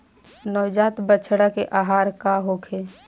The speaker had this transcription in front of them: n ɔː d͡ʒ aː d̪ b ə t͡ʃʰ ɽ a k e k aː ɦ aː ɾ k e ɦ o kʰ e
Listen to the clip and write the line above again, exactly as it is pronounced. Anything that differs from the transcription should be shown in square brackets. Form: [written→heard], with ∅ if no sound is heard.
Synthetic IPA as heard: n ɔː d͡ʒ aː [d̪→t̪] b ə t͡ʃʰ ɽ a k e [k→ʔ] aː ɦ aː ɾ k [e→a] ɦ o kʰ e